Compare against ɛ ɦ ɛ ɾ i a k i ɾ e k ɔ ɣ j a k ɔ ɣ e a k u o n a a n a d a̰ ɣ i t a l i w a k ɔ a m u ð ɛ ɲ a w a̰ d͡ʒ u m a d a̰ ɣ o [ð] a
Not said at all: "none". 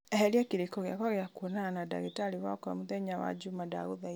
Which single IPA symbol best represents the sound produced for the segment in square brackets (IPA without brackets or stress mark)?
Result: ð